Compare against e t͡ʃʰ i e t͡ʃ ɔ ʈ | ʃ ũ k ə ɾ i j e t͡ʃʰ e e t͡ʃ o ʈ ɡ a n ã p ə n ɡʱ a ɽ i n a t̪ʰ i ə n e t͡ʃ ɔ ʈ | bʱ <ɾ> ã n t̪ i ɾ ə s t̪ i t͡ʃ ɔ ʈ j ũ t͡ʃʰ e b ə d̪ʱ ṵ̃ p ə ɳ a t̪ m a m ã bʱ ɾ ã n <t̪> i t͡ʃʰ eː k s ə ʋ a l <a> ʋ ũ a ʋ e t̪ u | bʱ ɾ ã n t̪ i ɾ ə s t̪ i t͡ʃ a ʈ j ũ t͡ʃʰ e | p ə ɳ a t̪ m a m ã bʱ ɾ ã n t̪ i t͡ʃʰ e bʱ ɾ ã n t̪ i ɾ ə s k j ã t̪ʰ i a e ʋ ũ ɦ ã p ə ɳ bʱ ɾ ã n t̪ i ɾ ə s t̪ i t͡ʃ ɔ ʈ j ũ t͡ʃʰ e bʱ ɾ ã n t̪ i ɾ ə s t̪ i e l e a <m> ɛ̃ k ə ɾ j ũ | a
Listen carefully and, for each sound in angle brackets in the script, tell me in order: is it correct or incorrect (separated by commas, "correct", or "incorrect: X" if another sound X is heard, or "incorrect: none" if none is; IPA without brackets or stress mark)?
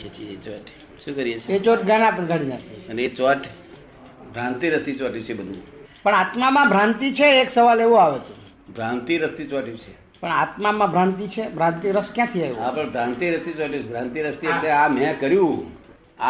correct, correct, incorrect: e, correct